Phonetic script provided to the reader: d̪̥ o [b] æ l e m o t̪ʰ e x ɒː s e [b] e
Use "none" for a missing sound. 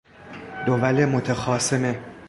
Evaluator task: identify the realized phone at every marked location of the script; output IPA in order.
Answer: v, m

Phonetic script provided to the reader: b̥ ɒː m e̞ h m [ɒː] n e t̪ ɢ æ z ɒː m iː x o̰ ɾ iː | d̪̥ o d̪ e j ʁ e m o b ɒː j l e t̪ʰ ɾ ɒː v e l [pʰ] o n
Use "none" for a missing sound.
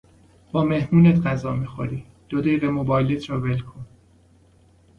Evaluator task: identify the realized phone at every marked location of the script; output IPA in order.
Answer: uː, kʰ

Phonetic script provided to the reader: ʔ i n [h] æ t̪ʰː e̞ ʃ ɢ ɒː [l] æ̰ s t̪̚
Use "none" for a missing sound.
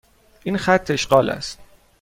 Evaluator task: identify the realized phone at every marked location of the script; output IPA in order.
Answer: x, l

